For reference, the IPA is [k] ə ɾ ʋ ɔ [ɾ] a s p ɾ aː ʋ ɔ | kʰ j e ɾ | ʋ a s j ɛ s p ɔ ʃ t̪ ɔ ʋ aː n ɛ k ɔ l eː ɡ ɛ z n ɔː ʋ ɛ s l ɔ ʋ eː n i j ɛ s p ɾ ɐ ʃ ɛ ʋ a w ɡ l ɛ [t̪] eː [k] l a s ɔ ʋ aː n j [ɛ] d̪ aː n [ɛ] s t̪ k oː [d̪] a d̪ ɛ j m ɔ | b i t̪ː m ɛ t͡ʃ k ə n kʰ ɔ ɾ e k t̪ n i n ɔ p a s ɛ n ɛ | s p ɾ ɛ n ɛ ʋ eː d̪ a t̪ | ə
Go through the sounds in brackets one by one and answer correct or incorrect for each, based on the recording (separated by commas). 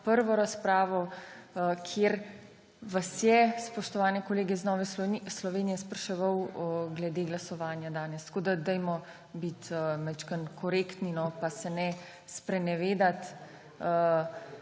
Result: incorrect, correct, incorrect, incorrect, incorrect, correct, correct